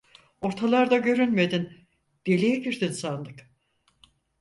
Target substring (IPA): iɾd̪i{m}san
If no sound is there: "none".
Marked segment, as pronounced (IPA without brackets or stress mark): n